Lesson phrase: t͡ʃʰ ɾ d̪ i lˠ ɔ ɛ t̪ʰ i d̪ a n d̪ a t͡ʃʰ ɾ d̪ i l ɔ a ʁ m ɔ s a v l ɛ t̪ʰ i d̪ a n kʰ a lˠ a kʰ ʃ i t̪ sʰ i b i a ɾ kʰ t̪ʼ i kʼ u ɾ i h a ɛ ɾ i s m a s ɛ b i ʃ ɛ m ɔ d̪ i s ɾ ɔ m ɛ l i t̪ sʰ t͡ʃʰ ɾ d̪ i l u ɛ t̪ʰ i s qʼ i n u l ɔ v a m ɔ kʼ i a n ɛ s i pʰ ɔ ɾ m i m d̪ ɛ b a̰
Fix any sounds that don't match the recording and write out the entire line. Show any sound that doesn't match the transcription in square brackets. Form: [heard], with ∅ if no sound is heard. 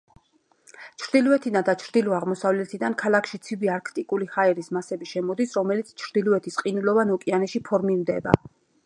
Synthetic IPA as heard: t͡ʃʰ ɾ d̪ i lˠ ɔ ɛ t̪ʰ i d̪ a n d̪ a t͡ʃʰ ɾ d̪ i l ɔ a ʁ m ɔ s a v l ɛ t̪ʰ i d̪ a n kʰ a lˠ a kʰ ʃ i t̪ sʰ i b i a ɾ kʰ t̪ʼ i kʼ u [l] i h a ɛ ɾ i s m a s ɛ b i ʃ ɛ m ɔ d̪ i s ɾ ɔ m ɛ l i t̪ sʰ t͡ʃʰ ɾ d̪ i l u ɛ t̪ʰ i s qʼ i n u l ɔ v a [n] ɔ kʼ i a n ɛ [ʃ] i pʰ ɔ ɾ m i m d̪ ɛ b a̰

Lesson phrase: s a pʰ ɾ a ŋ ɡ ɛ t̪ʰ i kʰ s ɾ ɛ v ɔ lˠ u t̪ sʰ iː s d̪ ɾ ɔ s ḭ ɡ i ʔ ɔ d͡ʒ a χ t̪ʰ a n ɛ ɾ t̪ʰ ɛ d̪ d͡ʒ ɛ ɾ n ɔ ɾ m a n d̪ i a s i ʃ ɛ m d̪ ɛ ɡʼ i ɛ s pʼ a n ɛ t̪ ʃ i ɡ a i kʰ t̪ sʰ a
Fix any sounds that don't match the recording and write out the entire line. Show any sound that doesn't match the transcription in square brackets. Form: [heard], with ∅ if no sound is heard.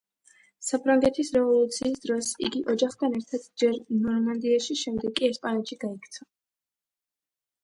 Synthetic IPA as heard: s a pʰ ɾ a ŋ ɡ ɛ t̪ʰ i [∅] s ɾ ɛ v ɔ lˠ u t̪ sʰ iː s d̪ ɾ ɔ s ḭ ɡ i ʔ ɔ d͡ʒ a χ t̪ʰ a n ɛ ɾ t̪ʰ [a] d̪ d͡ʒ ɛ ɾ n ɔ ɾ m a n d̪ i a [ʃ] i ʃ ɛ m d̪ ɛ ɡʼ i ɛ s pʼ a n ɛ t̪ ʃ i ɡ a i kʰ t̪ sʰ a

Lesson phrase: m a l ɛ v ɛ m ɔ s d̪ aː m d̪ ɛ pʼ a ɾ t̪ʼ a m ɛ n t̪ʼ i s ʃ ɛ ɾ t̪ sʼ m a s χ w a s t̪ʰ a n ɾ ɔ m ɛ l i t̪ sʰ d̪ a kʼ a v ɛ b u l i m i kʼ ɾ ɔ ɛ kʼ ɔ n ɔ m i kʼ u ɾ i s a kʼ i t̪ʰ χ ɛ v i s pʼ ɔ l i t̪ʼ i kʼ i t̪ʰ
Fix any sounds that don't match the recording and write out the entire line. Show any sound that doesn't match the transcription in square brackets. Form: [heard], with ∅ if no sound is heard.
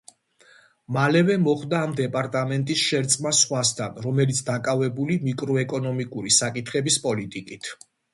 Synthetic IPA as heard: m a l ɛ v ɛ m ɔ [χ] d̪ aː m d̪ ɛ pʼ a ɾ t̪ʼ a m ɛ n t̪ʼ i s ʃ ɛ ɾ t̪ sʼ m a s χ w a s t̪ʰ a n ɾ ɔ m ɛ l i t̪ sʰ d̪ a kʼ a v ɛ b u l i m i kʼ ɾ ɔ ɛ kʼ ɔ n ɔ m i kʼ u ɾ i s a kʼ i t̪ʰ χ ɛ [b] i s pʼ ɔ l i t̪ʼ i kʼ i t̪ʰ

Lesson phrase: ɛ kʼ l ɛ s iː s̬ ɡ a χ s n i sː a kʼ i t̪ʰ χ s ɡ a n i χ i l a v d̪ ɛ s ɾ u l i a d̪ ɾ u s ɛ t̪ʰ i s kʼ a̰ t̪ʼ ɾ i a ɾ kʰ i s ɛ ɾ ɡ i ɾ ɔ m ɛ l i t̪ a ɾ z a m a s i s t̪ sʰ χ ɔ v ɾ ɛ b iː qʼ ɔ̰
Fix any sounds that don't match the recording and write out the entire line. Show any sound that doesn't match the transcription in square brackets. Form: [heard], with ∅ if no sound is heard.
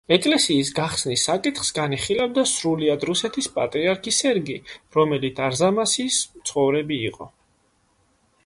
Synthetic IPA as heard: ɛ kʼ l ɛ s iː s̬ ɡ a χ s n i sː a kʼ i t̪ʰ χ s ɡ a n i χ i l a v d̪ [a] s ɾ u l i a d̪ ɾ u s ɛ t̪ʰ i s [pʼ] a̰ t̪ʼ ɾ i a ɾ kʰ i s ɛ ɾ ɡ i ɾ ɔ m ɛ l i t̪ a ɾ z a m a s i s t̪ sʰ χ ɔ v ɾ ɛ b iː qʼ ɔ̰

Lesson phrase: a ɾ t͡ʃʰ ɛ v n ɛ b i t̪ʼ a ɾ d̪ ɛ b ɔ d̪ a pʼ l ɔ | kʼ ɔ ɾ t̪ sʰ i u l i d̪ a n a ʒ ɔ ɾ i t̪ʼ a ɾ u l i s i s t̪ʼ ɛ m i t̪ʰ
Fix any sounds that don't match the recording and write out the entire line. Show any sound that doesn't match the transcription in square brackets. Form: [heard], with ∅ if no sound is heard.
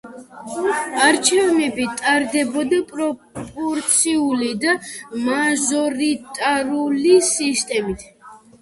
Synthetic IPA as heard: a ɾ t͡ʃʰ ɛ v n ɛ b i t̪ʼ a ɾ d̪ ɛ b ɔ d̪ a pʼ [ɾ] ɔ | [pʼ] ɔ ɾ t̪ sʰ i u l i d̪ a [m] a ʒ ɔ ɾ i t̪ʼ a ɾ u l i s i s t̪ʼ ɛ m i t̪ʰ

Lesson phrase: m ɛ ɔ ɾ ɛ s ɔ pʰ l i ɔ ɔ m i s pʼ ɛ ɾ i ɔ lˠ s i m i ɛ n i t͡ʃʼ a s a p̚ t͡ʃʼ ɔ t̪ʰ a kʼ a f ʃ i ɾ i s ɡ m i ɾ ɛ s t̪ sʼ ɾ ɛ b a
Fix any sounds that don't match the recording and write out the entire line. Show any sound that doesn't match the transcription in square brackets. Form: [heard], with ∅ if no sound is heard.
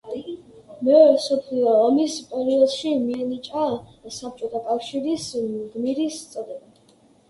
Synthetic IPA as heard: m ɛ ɔ ɾ ɛ s ɔ pʰ l i ɔ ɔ m i s pʼ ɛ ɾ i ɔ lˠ [ʃ] i m i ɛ n i t͡ʃʼ a s a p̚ t͡ʃʼ ɔ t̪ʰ a kʼ a f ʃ i ɾ i s ɡ m i ɾ [i] s t̪ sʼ ɾ ɛ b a

